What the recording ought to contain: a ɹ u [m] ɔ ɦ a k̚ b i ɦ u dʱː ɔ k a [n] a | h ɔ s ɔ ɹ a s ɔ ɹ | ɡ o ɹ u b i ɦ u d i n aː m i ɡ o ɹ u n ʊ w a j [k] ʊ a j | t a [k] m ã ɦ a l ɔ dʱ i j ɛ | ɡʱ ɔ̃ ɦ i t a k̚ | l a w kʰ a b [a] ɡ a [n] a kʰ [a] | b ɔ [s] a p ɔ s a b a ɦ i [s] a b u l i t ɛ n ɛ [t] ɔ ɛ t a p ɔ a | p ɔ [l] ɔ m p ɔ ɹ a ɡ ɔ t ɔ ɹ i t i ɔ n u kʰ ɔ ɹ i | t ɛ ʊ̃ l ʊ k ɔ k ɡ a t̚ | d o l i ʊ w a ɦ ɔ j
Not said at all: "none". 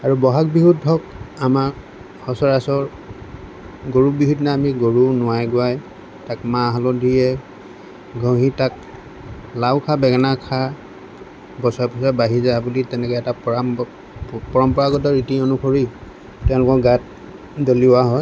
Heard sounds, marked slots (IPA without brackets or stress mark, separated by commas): b, m, ɡ, k, ɛ, n, a, s, z, k, ɹ